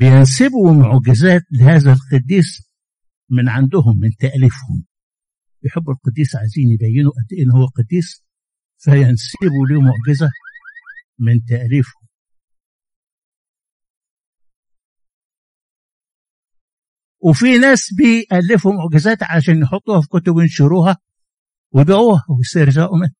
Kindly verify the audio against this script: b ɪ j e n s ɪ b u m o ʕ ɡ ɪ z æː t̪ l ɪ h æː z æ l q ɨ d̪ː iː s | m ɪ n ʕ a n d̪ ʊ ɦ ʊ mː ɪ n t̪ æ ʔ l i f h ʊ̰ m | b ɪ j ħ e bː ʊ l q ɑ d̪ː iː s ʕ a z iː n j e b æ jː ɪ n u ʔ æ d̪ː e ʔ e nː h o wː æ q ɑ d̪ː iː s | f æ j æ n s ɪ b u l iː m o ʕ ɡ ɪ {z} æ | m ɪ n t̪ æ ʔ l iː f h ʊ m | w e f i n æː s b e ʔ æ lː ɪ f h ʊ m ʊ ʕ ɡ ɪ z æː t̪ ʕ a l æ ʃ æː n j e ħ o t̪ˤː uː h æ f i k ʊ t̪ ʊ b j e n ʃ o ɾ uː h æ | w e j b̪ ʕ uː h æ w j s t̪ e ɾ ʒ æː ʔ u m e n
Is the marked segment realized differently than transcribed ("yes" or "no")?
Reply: no